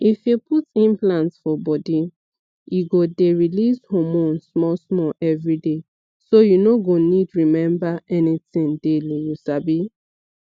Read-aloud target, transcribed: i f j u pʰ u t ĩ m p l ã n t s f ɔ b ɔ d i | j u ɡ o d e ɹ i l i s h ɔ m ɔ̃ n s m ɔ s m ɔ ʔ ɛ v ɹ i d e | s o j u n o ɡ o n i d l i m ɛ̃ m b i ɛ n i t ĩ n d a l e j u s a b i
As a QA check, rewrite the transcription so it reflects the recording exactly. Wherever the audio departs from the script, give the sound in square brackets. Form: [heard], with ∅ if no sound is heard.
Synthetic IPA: i f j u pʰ u t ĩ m p l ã n t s f ɔ b ɔ d i | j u ɡ o d e ɹ i l i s h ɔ m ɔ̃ n s m ɔ s m ɔ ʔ ɛ v ɹ i d e | s o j u n o ɡ o n i d [ɹ] i m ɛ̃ m b [a] ɛ n i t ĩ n d [e] l [i] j u s a b i